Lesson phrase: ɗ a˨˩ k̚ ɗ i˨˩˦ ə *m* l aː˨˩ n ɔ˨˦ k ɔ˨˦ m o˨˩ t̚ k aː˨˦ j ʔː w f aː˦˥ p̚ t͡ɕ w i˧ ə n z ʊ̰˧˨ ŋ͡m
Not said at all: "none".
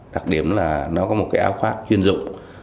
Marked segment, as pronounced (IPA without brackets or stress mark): m